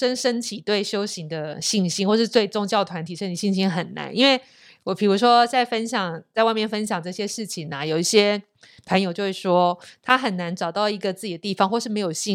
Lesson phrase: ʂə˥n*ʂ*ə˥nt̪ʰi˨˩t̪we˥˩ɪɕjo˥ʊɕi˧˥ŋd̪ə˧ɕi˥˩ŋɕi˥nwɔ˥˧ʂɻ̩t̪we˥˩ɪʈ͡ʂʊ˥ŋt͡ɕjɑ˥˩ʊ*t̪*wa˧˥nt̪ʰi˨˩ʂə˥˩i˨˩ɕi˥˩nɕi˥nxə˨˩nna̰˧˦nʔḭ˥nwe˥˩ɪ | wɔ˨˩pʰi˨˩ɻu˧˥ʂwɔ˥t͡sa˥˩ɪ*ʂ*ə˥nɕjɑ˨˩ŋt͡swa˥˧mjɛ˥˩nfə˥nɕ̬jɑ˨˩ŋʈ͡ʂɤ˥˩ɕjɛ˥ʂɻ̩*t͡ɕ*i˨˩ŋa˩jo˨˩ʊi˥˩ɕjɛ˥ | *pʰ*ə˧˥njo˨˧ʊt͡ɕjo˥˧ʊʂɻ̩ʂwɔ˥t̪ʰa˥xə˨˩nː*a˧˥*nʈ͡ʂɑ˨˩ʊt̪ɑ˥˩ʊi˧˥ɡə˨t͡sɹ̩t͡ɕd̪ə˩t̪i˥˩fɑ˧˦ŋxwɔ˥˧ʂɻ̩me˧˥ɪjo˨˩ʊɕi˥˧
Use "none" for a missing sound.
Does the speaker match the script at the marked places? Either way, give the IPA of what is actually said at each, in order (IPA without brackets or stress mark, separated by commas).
ʂ, t̪ʰ, f, t͡ɕʰ, pʰ, a˧˥